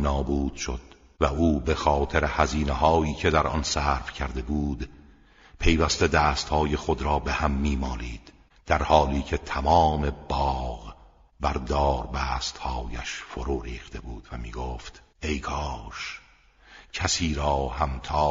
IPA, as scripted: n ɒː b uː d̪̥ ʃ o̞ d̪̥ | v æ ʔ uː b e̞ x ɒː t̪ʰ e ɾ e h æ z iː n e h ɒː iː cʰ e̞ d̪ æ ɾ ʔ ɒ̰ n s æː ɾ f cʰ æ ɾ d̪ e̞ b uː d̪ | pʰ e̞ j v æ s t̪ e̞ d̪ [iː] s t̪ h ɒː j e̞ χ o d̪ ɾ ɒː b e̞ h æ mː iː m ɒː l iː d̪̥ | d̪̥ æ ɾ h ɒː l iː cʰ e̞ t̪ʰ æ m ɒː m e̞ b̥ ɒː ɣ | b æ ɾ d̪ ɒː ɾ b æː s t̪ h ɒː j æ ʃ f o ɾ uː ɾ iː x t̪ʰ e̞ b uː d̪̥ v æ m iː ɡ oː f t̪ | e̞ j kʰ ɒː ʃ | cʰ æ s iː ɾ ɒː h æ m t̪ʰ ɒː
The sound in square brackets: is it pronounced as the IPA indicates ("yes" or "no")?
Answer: no